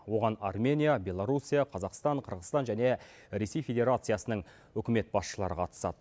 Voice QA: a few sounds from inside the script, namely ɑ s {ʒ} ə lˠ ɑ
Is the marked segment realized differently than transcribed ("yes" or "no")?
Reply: yes